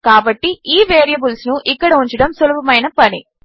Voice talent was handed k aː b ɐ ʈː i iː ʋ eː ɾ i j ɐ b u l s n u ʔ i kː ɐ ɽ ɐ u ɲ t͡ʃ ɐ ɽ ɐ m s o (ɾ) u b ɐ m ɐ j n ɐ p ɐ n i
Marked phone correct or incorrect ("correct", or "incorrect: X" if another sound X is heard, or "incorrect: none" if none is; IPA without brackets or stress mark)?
incorrect: l